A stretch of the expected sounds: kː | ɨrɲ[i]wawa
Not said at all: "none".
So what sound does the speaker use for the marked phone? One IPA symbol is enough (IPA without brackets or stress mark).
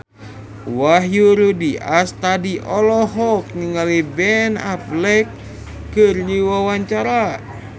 i